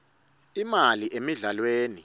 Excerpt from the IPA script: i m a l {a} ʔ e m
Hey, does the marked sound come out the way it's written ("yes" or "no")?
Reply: no